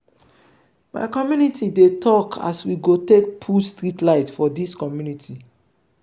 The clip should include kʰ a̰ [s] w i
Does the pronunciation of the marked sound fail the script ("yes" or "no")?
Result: no